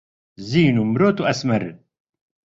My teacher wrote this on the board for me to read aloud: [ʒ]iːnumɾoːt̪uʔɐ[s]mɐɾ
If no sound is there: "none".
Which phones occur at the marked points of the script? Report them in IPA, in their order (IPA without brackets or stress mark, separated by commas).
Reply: z, s